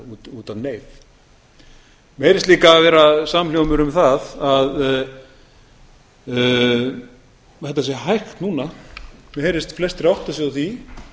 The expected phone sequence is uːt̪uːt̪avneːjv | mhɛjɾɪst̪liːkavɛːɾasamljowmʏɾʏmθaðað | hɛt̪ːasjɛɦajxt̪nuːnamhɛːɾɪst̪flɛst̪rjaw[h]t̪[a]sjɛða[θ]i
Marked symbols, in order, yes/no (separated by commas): yes, yes, yes